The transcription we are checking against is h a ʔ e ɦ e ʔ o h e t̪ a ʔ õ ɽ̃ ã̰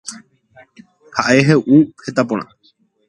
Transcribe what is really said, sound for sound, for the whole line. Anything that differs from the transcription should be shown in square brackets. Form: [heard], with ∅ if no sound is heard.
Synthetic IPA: h a ʔ e ɦ e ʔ [u] h e t̪ a [p] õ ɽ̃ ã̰